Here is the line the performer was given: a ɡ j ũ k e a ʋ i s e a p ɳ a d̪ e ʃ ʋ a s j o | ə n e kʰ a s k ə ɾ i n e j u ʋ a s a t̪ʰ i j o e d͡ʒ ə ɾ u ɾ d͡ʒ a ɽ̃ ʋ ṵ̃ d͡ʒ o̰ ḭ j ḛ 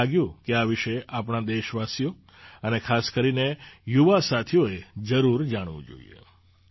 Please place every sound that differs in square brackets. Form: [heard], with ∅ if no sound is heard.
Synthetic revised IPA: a ɡ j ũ k e a ʋ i [ʃ] e a p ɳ a d̪ e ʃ ʋ a s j o | ə n e kʰ a s k ə ɾ i n e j u ʋ a s a t̪ʰ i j o e d͡ʒ ə ɾ u ɾ d͡ʒ a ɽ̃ ʋ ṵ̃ d͡ʒ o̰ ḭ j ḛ

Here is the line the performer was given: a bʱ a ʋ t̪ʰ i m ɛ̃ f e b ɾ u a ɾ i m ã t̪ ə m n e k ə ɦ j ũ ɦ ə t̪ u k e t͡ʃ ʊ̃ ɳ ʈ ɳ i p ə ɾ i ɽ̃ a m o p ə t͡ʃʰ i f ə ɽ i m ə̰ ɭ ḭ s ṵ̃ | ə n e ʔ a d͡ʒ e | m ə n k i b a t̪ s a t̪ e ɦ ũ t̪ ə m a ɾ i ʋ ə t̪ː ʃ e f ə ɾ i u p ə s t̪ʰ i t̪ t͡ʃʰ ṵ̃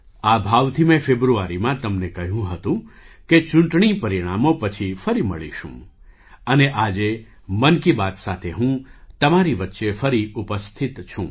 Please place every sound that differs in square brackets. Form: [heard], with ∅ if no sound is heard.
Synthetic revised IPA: a bʱ a ʋ t̪ʰ i m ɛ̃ f e b ɾ u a ɾ i m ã t̪ ə m n e k ə ɦ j ũ ɦ ə t̪ [ũ] k e t͡ʃ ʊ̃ ɳ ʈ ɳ i p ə ɾ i ɽ̃ a m o p ə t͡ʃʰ i f ə [ɾ] i m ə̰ ɭ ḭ [ʃ] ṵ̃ | ə n e ʔ a d͡ʒ e | m ə n k i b a t̪ s a [t̪ʰ] e ɦ ũ t̪ ə m a ɾ i ʋ ə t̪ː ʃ e f ə ɾ i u p ə s t̪ʰ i t̪ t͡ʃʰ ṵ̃

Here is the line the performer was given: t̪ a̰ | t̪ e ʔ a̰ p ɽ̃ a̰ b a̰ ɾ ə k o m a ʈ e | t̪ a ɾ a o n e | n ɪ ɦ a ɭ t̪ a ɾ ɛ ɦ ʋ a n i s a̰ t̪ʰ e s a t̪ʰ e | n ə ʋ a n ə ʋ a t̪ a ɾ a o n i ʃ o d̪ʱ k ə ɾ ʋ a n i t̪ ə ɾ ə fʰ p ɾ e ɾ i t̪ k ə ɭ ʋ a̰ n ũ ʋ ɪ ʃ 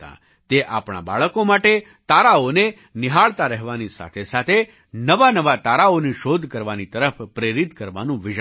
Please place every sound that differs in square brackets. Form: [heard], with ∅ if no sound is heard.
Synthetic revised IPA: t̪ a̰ | t̪ e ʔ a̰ p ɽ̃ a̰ b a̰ [ɭ] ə k o m a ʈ e | t̪ a ɾ a o n e | n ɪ ɦ a ɭ t̪ a ɾ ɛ ɦ ʋ a n i s a̰ t̪ʰ e s a t̪ʰ e | n ə ʋ a n ə ʋ a t̪ a ɾ a o n i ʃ o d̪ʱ k ə ɾ ʋ a n i t̪ ə ɾ ə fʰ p ɾ e ɾ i t̪ k ə [ɾ] ʋ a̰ n ũ ʋ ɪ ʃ

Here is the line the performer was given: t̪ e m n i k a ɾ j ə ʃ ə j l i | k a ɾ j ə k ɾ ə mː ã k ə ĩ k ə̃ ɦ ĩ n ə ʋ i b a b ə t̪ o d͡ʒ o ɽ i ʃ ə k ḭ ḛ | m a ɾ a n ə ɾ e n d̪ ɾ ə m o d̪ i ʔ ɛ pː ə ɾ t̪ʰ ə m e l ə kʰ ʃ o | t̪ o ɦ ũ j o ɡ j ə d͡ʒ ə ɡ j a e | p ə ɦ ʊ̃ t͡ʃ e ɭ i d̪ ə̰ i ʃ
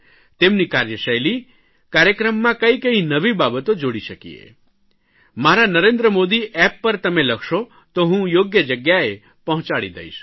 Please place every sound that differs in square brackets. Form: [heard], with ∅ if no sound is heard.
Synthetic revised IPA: t̪ e m n i k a ɾ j ə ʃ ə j l i | k a ɾ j ə k ɾ ə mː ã k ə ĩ k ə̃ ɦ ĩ n ə ʋ i b a b ə t̪ o d͡ʒ o ɽ i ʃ ə k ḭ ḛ | m a ɾ a n ə ɾ e n d̪ ɾ ə m o d̪ i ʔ ɛ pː ə ɾ [t̪] ə m e l ə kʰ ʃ o | t̪ o ɦ ũ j o ɡ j ə d͡ʒ ə ɡ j a e | p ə ɦ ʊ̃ t͡ʃ [a] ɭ i d̪ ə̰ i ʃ

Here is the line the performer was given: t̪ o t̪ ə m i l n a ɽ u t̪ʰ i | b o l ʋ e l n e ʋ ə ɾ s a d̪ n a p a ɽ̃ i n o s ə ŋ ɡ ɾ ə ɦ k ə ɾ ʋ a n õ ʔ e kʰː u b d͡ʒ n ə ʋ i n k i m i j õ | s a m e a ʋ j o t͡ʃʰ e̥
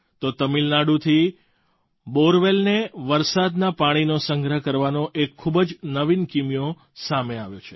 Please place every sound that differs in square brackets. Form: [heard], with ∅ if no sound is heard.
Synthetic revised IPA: t̪ o t̪ ə m i l n a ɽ u t̪ʰ i | b o [ɾ] ʋ e l n e ʋ ə ɾ s a d̪ n a p a ɽ̃ i n o s ə ŋ ɡ ɾ ə ɦ k ə ɾ ʋ a n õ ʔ e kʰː u b d͡ʒ n ə ʋ i n k i m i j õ | s a m e a ʋ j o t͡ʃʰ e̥

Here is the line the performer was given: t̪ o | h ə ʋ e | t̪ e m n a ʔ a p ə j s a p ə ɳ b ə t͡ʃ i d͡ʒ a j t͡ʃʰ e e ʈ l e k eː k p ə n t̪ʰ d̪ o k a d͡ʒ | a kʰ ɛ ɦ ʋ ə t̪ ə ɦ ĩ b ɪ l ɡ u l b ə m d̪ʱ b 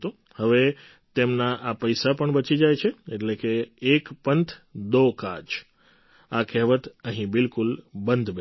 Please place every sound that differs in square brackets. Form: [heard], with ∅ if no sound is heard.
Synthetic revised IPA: t̪ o | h ə ʋ e | t̪ e m n a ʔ a p ə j s a p ə ɳ b ə t͡ʃ i d͡ʒ a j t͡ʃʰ e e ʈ l e k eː k p ə n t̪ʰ d̪ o k a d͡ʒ | a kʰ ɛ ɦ ʋ ə t̪ ə ɦ ĩ b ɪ l [k] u l b ə [n] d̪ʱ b

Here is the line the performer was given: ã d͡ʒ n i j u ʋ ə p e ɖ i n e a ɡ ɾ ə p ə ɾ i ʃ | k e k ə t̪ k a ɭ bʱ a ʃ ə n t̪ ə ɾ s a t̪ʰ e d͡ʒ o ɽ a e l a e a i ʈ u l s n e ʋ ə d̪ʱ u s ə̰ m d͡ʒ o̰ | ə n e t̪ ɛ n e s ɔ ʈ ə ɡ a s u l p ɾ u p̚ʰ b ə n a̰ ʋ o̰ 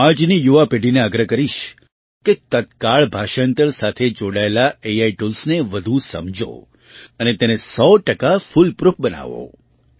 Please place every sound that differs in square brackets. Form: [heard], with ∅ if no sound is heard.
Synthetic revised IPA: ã d͡ʒ n i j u ʋ [a] p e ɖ i n e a ɡ ɾ ə [k] ə ɾ i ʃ | k e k ə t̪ k a ɭ bʱ a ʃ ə n t̪ ə ɾ s a t̪ʰ e d͡ʒ o ɽ a e l a e a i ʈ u l s n e ʋ ə d̪ʱ u s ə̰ m d͡ʒ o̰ | ə n e t̪ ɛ n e s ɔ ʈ ə [k] a [f] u l p ɾ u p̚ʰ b ə n a̰ ʋ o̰

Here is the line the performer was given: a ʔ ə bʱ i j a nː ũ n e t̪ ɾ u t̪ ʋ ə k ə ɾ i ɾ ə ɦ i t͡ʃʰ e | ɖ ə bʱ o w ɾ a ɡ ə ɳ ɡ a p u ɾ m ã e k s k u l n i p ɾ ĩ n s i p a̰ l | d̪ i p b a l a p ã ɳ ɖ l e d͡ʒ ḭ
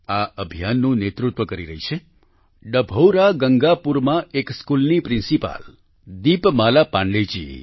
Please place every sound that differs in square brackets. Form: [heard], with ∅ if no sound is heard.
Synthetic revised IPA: a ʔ ə bʱ i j a nː ũ n e t̪ ɾ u t̪ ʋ ə k ə ɾ i ɾ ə ɦ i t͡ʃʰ e | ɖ ə bʱ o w ɾ a ɡ ə [ŋ] ɡ a p u ɾ m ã e k s k u l n i p ɾ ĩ n s i p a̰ l | d̪ i p [m] a l a p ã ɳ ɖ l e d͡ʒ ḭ

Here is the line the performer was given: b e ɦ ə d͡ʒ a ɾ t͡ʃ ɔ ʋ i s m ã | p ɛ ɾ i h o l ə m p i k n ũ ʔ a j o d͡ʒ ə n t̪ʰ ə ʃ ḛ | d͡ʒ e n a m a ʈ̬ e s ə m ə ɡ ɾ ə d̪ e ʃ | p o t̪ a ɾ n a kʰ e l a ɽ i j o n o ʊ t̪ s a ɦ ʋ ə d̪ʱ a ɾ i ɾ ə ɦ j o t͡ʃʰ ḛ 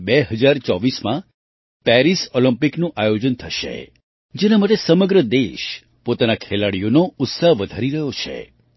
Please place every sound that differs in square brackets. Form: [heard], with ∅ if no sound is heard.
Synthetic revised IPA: b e ɦ ə d͡ʒ a ɾ t͡ʃ ɔ ʋ i s m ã | p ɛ ɾ i [s] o l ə m p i k n ũ ʔ a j o d͡ʒ ə n t̪ʰ ə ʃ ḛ | d͡ʒ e n a m a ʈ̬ e s ə m ə ɡ ɾ ə d̪ e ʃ | p o t̪ a [∅] n a kʰ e l a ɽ i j o n o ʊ t̪ s a ɦ ʋ ə d̪ʱ a ɾ i ɾ ə ɦ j o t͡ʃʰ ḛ

